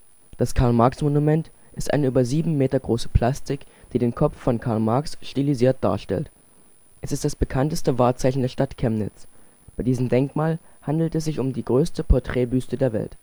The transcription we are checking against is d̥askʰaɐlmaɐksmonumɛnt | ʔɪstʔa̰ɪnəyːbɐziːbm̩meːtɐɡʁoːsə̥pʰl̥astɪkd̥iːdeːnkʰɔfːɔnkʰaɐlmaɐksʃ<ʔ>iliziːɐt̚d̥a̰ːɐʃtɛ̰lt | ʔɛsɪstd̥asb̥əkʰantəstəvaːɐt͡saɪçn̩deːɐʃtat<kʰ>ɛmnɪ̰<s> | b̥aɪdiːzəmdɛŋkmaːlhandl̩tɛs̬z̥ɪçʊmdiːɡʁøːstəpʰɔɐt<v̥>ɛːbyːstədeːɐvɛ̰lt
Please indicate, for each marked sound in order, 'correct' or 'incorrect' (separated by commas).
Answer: incorrect, correct, incorrect, incorrect